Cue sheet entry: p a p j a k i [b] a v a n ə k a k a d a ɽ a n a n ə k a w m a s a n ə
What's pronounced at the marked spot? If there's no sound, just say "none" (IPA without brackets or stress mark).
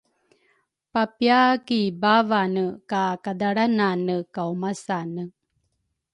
b